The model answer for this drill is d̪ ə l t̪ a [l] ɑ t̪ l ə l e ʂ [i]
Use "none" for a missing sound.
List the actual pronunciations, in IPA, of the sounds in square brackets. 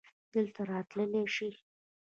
ɾ, i

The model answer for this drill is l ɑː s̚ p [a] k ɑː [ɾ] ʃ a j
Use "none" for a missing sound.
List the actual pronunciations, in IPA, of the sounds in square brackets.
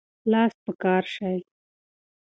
ə, ɾ

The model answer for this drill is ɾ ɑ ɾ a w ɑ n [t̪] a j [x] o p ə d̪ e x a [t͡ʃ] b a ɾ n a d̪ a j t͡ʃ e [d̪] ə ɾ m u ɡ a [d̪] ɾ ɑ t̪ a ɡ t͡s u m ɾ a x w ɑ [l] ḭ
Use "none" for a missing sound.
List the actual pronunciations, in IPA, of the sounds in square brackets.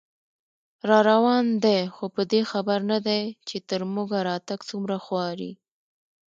d̪, x, none, t̪, none, ɾ

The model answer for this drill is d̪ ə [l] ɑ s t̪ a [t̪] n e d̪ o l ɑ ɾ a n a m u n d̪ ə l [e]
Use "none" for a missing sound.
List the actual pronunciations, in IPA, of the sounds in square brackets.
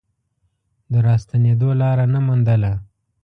ɾ, none, a

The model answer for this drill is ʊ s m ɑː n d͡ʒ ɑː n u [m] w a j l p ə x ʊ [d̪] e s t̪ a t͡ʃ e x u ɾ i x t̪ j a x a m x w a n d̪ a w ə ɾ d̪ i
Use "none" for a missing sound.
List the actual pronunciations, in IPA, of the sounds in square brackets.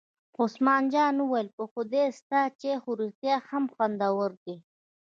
none, d̪

